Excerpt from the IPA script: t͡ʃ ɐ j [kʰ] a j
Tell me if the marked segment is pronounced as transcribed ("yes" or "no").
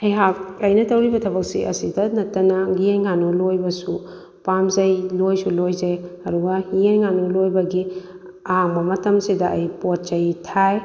no